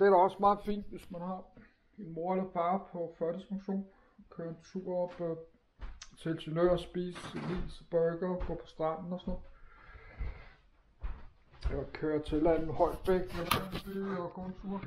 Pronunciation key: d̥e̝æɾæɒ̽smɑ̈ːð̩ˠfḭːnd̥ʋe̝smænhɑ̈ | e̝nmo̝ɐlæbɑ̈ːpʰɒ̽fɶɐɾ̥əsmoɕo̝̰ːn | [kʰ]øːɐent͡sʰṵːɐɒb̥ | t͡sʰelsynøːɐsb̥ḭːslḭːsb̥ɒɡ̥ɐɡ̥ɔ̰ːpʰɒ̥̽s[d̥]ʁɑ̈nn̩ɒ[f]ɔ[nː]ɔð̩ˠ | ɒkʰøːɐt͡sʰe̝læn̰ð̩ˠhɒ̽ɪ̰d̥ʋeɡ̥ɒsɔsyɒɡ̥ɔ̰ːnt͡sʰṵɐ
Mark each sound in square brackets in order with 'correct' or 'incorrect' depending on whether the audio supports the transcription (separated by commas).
correct, correct, incorrect, incorrect